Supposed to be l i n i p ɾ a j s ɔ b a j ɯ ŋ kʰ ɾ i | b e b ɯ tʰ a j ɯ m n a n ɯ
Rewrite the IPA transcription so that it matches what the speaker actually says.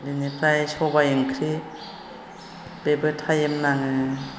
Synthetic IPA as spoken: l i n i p ɾ a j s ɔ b a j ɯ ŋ kʰ ɾ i | b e b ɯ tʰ a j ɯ m n a ŋ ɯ